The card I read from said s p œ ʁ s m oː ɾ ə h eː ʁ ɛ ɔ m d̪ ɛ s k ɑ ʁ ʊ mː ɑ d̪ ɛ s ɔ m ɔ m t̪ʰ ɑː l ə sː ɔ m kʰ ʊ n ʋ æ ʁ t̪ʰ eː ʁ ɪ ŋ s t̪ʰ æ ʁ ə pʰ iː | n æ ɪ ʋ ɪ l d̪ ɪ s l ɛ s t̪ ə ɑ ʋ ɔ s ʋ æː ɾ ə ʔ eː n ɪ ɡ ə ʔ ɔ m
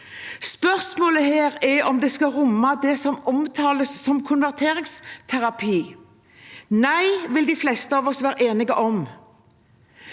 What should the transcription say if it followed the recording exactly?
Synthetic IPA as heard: s p œ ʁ s m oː l ə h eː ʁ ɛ ɔ m d̪ ɛ s k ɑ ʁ ʊ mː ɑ d̪ ɛ s ɔ m ɔ m t̪ʰ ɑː l ə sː ɔ m kʰ ʊ n ʋ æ ʁ t̪ʰ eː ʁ ɪ ŋ s t̪ʰ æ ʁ ɑ pʰ iː | n æ ɪ ʋ ɪ l d̪ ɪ f l ɛ s t̪ ə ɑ ʋ ɔ s ʋ æː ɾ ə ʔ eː n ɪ ɡ ə ʔ ɔ m